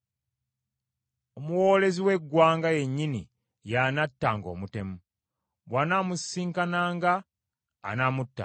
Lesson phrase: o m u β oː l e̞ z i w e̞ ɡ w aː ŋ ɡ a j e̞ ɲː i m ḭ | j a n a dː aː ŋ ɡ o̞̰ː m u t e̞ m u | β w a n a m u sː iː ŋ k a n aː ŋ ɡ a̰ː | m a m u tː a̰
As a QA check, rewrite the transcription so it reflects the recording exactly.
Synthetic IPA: o m u w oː l e̞ z i w e̞ ɡ w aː ŋ ɡ a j e̞ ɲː i n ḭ | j a n a tː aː ŋ ɡ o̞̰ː m u t e̞ m u | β w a n a m u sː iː ŋ k a n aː ŋ ɡ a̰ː | n a m u tː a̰